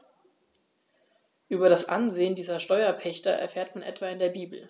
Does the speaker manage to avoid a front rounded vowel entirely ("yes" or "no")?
no